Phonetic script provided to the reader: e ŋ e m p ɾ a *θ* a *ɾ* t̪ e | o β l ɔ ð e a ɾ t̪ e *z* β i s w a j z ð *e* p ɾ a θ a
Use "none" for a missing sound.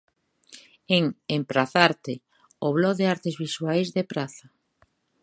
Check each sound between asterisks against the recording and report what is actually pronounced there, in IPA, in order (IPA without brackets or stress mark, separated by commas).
θ, ɾ, z, e